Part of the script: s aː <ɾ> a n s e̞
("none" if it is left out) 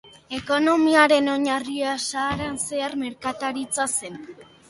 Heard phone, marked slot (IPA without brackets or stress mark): ɾ